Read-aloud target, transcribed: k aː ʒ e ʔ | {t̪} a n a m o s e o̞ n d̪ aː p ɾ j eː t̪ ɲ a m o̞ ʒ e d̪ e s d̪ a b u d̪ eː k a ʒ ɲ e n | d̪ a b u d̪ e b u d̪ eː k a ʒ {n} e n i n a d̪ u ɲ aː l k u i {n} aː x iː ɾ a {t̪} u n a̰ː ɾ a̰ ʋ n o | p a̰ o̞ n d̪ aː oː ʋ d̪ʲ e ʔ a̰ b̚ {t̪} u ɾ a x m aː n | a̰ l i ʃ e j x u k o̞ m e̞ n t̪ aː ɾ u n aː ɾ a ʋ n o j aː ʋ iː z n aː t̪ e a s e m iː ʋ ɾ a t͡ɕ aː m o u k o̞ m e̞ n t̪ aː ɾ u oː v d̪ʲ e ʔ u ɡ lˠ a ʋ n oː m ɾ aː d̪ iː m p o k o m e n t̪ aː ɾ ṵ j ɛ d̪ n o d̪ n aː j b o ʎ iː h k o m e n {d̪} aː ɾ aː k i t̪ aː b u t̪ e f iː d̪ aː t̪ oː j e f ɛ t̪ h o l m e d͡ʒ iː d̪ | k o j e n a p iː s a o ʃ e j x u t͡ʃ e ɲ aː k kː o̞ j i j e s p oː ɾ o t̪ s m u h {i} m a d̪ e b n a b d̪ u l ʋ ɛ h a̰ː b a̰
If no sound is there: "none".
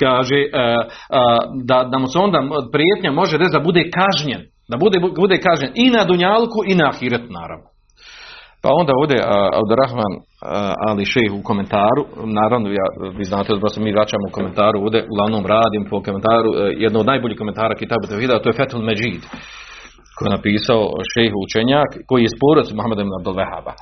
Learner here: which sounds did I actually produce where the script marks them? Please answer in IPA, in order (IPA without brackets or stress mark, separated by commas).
d̪, ɲ, n, t̪, d̪, t̪, a